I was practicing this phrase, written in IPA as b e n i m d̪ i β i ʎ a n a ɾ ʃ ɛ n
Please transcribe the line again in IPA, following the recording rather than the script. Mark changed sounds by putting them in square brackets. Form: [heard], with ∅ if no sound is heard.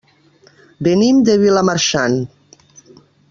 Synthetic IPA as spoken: b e n i m d̪ [e] β i [l] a [m] a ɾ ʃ [a] n